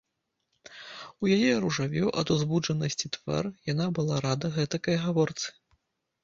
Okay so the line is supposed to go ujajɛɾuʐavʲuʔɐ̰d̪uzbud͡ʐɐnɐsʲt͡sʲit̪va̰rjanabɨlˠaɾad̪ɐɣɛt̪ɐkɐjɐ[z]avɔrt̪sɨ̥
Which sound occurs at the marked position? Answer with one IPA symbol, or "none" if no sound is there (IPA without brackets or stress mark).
ɣ